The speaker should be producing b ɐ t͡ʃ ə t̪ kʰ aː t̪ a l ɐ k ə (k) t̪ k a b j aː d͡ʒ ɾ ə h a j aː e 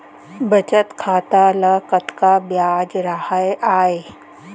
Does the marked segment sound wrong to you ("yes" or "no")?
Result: yes